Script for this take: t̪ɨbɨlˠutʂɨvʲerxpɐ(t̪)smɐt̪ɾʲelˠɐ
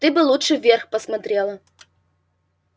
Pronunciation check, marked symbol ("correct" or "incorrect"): incorrect